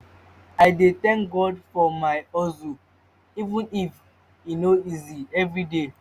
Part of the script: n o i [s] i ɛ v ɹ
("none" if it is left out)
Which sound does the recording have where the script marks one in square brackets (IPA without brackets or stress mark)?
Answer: z